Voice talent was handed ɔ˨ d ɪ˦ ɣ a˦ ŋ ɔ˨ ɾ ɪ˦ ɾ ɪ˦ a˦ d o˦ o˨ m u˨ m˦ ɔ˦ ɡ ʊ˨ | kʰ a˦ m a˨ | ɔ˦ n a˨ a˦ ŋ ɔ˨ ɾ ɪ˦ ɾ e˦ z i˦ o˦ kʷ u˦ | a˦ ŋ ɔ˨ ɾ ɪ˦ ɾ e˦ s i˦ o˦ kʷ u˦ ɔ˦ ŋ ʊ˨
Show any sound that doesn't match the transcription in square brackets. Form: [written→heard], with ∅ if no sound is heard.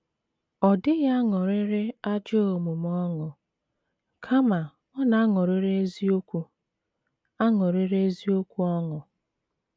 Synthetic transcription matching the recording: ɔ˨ d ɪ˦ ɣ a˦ ŋ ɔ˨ ɾ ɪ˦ ɾ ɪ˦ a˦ [d→d͡ʒ] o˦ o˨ m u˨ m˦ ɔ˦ [ɡ→ŋ] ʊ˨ | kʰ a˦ m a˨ | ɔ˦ n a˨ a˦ ŋ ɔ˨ ɾ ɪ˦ ɾ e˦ z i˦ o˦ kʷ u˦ | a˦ ŋ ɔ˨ ɾ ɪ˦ ɾ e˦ [s→z] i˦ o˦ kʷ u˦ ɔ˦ ŋ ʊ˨